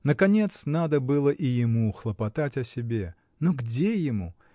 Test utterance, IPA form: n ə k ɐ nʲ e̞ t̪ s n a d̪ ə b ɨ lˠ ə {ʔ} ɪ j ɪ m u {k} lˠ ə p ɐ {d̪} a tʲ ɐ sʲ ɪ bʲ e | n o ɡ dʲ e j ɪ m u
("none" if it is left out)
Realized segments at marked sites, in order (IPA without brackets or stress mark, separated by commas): ʔ, x, t̪